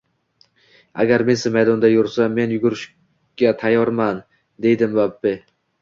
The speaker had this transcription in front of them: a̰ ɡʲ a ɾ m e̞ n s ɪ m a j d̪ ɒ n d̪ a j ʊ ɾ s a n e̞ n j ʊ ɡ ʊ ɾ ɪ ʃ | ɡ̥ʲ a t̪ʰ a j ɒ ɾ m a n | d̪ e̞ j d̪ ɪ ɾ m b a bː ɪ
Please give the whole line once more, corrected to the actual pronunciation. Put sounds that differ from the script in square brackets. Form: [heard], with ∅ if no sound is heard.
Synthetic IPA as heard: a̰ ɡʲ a ɾ m e̞ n s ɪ m a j d̪ ɒ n d̪ a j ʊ ɾ s a [m] e̞ n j ʊ ɡ ʊ ɾ ɪ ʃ | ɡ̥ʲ a t̪ʰ a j ɒ ɾ m a n | d̪ e̞ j d̪ ɪ [∅] m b a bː ɪ